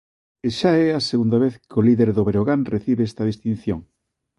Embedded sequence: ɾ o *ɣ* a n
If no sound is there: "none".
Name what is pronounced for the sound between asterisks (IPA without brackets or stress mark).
ɣ